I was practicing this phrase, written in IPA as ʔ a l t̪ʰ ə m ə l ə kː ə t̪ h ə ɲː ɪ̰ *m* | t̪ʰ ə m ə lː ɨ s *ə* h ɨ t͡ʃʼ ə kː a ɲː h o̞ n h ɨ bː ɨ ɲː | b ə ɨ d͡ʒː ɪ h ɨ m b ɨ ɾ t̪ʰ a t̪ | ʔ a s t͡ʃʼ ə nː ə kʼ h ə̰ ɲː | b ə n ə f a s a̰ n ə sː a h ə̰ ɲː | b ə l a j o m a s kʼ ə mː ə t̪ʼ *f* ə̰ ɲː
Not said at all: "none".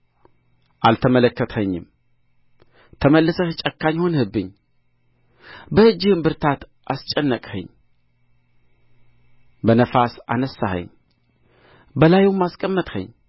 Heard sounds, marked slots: m, ə, h

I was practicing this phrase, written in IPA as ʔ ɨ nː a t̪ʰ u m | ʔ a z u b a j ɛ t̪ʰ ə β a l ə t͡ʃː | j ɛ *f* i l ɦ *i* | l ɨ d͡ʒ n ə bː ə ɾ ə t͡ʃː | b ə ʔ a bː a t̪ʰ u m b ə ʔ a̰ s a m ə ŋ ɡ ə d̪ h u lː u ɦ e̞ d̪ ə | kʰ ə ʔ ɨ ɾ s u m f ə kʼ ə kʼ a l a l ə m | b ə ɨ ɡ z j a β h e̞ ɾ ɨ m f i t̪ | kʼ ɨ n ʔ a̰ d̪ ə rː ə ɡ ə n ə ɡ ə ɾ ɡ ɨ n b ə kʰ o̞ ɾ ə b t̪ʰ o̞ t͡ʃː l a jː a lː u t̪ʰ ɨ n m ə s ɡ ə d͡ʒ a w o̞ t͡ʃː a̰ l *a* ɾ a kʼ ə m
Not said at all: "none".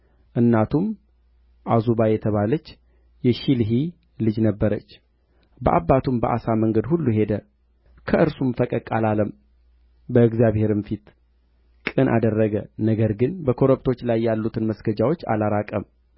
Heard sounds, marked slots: ʃ, i, a

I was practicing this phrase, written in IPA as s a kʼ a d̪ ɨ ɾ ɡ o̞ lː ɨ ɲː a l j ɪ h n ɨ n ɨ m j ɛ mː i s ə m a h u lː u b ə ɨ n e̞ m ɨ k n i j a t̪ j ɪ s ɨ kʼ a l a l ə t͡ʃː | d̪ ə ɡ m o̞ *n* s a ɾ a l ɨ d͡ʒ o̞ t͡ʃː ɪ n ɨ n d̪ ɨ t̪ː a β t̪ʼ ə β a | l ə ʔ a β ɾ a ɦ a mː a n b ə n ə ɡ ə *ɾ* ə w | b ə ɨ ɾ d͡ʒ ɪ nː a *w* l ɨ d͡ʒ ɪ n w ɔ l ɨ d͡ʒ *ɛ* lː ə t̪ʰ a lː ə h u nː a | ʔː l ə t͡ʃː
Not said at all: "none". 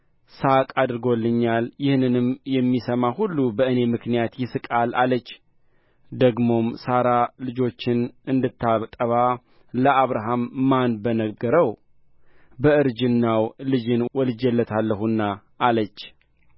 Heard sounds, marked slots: m, ɾ, w, ɛ

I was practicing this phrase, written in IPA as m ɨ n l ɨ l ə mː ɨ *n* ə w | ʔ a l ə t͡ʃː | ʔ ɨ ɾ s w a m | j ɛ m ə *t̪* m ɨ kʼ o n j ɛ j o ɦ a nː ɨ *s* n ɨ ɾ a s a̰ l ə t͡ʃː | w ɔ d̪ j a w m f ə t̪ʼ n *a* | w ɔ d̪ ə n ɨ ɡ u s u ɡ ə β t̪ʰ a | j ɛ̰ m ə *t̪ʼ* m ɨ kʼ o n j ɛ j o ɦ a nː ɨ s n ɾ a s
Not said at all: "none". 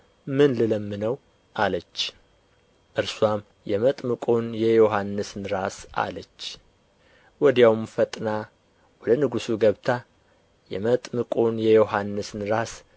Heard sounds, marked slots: n, t̪ʼ, s, a, t̪ʼ

